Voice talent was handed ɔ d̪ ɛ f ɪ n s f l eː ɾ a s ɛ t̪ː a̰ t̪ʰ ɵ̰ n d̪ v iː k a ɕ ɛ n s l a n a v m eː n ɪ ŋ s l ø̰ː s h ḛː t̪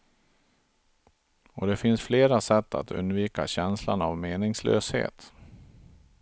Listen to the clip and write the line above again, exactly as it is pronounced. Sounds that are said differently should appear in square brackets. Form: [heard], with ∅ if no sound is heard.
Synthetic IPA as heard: ɔ d̪ ɛ f ɪ n s f l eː ɾ a s ɛ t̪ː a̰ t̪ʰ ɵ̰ n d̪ v iː k a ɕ ɛ n s l a n a v m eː n ɪ ŋ s l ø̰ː s h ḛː t̪